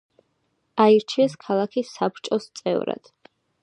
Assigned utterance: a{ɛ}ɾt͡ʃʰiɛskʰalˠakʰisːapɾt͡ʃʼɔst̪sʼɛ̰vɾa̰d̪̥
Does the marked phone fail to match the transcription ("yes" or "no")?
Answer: yes